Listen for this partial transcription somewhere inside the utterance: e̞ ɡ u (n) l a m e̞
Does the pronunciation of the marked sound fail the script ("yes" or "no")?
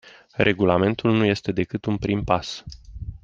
yes